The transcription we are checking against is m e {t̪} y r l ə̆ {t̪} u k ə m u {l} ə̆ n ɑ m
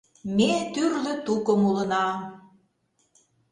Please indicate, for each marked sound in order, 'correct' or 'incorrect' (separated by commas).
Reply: correct, correct, correct